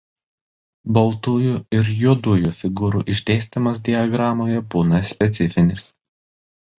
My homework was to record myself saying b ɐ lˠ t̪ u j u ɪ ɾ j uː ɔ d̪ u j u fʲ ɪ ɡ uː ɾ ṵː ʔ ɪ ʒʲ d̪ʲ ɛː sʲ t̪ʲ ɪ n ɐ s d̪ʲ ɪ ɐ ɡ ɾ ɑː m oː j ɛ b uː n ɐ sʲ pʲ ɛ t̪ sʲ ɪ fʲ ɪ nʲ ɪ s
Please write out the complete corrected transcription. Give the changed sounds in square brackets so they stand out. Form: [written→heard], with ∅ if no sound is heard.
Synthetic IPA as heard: b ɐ lˠ t̪ u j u ɪ ɾ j [uː→u] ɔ d̪ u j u fʲ ɪ ɡ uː ɾ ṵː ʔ ɪ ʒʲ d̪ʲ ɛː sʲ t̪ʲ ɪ [n→m] ɐ s d̪ʲ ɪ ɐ ɡ ɾ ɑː m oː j ɛ b uː n ɐ sʲ pʲ ɛ t̪ sʲ ɪ fʲ ɪ nʲ ɪ s